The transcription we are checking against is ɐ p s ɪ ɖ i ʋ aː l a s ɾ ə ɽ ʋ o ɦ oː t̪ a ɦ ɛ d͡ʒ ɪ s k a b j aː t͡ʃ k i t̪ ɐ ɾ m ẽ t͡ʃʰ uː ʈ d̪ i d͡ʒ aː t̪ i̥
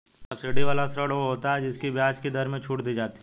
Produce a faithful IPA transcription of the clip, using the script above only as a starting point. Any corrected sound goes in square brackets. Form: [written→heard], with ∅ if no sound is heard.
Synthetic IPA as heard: ɐ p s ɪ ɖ i ʋ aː l a s ɾ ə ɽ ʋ o ɦ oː t̪ a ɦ ɛ d͡ʒ ɪ s k [a→i] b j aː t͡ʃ k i [t̪→d̪] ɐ ɾ m ẽ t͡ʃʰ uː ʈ d̪ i d͡ʒ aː t̪ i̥

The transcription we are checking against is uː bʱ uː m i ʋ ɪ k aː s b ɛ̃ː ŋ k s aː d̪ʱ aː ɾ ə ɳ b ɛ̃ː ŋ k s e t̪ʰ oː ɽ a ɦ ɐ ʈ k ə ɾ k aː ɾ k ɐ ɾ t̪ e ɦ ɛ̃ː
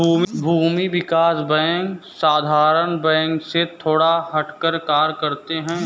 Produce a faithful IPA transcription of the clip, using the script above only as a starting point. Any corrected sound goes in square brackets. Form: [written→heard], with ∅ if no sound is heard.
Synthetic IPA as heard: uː bʱ uː m i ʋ ɪ k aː s b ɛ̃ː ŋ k s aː d̪ʱ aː ɾ ə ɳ b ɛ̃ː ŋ k s e t̪ʰ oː ɽ a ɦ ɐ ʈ k ə ɾ k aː ɾ k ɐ ɾ t̪ e ɦ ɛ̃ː

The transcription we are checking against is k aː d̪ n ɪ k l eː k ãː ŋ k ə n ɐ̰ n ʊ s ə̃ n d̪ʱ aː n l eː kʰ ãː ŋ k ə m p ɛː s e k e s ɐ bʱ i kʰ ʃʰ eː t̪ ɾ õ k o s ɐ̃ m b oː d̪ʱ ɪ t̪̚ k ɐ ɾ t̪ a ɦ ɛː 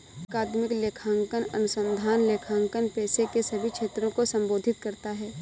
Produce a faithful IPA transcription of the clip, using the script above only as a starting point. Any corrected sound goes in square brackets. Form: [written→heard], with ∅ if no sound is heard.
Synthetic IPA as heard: k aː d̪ [n→m] ɪ k l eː [k→kʰ] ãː ŋ k ə n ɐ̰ n ʊ s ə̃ n d̪ʱ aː n l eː kʰ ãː ŋ k ə [m→n] p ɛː s e k e s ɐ bʱ i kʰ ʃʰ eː t̪ ɾ õ k o s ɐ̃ m b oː d̪ʱ ɪ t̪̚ k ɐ ɾ t̪ a ɦ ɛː

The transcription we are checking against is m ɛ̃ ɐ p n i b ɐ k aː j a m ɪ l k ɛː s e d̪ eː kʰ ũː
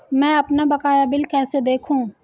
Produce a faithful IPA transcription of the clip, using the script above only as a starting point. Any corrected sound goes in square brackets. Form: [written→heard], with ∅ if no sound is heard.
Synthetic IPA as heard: m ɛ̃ ɐ p n [i→a] b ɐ k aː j a [m→b] ɪ l k ɛː s e d̪ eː kʰ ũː

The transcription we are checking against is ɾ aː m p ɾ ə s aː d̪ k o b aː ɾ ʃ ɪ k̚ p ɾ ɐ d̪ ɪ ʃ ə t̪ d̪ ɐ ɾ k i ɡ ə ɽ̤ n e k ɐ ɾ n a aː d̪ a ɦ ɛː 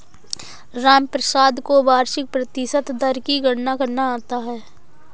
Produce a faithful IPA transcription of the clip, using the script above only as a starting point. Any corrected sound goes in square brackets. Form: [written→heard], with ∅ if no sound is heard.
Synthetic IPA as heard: ɾ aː m p ɾ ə s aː d̪ k o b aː ɾ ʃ ɪ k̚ p ɾ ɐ [d̪→t̪] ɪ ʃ ə t̪ d̪ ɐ ɾ k i ɡ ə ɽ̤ n [e→a] k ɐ ɾ n a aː [d̪→t̪] a ɦ ɛː

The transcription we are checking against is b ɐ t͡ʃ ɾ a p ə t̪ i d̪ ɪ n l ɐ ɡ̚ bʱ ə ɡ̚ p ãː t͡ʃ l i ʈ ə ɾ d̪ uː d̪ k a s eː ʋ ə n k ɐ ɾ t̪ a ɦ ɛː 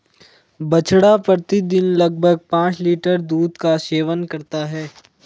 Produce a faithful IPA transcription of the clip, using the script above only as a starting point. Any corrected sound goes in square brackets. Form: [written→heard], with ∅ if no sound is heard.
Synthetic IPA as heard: b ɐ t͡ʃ [ɾ→ɽ] a p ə t̪ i d̪ ɪ n l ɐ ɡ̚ bʱ ə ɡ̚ p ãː t͡ʃ l [i→iː] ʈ ə ɾ d̪ uː d̪ k a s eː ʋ ə n k ɐ ɾ t̪ a ɦ ɛː

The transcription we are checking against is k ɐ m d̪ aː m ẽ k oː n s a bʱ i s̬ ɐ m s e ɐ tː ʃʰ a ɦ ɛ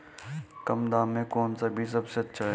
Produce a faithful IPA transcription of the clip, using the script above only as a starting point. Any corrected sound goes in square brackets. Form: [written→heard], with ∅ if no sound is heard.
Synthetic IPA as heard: k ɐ m d̪ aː m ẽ k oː n s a bʱ i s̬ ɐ [m→b] s e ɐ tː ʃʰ a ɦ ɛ

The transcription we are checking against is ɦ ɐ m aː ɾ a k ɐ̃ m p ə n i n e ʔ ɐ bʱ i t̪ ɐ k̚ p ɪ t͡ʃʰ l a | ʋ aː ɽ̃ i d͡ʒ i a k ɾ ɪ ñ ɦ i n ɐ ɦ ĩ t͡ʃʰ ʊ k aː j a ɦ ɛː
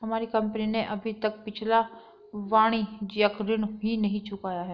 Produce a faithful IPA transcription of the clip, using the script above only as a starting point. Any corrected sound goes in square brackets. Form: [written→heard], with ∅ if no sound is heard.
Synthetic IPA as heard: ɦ ɐ m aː ɾ [a→i] k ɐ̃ m p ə n i n e ʔ ɐ bʱ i t̪ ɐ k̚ p ɪ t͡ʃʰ l a | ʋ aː ɽ̃ i d͡ʒ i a k ɾ ɪ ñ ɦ i n ɐ ɦ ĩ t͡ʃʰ ʊ k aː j a ɦ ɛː

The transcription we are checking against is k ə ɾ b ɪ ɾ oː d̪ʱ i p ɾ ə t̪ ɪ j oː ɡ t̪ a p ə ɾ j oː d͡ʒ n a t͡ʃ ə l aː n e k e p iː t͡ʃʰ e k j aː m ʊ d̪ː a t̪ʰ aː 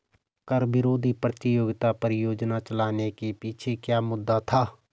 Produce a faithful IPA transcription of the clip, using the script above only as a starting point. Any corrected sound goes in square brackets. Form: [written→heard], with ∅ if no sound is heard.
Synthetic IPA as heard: k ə ɾ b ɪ ɾ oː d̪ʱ i p ɾ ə t̪ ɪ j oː ɡ t̪ a p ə ɾ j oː d͡ʒ n a t͡ʃ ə l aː n e k e p iː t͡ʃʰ e k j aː m ʊ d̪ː a t̪ʰ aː

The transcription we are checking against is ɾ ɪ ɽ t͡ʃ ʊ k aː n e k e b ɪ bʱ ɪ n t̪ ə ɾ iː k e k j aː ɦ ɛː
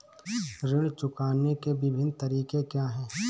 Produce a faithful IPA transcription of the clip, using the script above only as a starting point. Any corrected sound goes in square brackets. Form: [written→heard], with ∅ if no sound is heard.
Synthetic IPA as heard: ɾ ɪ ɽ t͡ʃ ʊ k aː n e k e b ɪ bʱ ɪ n t̪ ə ɾ iː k e k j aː ɦ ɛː

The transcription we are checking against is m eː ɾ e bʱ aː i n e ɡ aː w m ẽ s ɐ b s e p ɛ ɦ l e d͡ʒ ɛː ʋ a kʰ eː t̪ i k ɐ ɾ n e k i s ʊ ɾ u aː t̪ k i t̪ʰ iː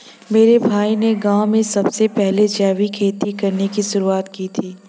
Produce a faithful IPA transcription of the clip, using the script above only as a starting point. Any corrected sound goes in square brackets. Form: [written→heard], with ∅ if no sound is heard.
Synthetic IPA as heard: m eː ɾ e bʱ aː i n e ɡ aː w m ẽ s ɐ b s e p ɛ ɦ l e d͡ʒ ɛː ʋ [a→i] kʰ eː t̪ i k ɐ ɾ n e k i s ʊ ɾ u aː t̪ k i t̪ʰ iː

